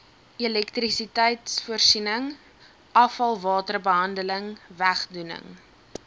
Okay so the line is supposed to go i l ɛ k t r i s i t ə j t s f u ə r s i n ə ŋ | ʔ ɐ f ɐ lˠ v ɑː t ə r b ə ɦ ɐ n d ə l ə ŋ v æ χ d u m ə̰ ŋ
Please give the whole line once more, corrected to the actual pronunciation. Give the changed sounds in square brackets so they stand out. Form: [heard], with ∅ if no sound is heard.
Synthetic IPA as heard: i l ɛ k t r i s i t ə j t s f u ə r s i n ə ŋ | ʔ ɐ f ɐ lˠ v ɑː t ə r b ə ɦ ɐ n d ə l ə ŋ v æ χ d u [n] ə̰ ŋ